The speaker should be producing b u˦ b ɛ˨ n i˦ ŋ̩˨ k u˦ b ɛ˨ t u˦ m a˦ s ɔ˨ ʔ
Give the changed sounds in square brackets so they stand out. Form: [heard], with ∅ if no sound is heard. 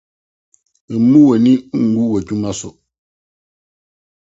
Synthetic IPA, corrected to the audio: [m] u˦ [w] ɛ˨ n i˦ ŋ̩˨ [ɡ] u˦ [w] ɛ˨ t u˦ m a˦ s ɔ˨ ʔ